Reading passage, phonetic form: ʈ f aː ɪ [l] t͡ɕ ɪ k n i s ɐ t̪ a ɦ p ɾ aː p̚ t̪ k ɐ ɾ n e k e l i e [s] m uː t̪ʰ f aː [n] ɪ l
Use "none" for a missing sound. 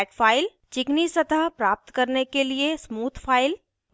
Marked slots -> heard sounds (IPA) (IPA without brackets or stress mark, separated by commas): l, s, none